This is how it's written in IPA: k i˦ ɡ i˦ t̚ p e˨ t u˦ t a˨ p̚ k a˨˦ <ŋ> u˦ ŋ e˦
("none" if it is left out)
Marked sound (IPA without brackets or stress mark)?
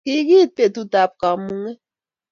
m